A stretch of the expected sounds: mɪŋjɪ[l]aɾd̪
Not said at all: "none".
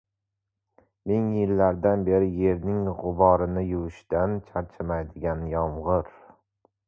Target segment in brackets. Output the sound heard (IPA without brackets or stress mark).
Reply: lː